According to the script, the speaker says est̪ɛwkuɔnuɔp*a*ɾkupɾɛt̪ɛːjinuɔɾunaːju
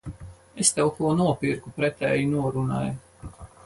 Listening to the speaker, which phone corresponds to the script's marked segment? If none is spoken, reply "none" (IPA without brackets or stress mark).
i